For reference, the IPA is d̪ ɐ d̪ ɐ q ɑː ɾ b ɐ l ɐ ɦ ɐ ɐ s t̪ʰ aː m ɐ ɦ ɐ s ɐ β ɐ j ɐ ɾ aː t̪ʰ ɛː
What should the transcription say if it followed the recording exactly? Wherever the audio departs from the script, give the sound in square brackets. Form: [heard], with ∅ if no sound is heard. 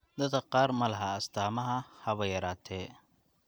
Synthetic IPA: d̪ ɐ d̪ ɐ q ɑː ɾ [m] ɐ l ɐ ɦ ɐ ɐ s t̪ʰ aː m ɐ ɦ ɐ [h] ɐ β ɐ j ɐ ɾ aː t̪ʰ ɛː